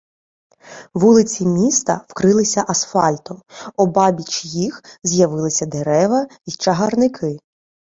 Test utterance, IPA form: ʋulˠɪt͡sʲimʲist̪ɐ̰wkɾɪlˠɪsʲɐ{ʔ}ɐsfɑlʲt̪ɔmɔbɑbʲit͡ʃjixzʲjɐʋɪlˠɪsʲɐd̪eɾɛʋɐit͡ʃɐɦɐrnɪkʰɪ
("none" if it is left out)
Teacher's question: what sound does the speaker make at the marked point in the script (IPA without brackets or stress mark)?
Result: ʔ